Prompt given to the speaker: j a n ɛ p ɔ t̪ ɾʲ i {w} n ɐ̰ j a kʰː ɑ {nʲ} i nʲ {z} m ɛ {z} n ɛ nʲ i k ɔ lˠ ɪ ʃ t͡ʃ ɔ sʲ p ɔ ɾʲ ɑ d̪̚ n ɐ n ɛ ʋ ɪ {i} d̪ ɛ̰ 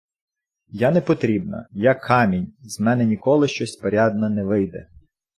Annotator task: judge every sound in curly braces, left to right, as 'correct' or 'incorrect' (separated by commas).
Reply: incorrect, incorrect, correct, incorrect, incorrect